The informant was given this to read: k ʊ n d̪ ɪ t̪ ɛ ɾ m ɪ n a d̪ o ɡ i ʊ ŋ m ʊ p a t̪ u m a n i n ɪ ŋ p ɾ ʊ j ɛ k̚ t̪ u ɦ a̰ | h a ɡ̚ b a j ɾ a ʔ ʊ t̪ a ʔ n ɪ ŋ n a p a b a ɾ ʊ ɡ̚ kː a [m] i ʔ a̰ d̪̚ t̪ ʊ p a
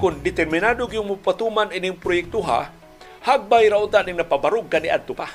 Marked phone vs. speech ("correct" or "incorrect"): incorrect